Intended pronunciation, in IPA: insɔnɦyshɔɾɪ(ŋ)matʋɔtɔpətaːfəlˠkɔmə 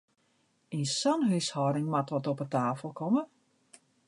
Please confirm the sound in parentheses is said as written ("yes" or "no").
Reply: yes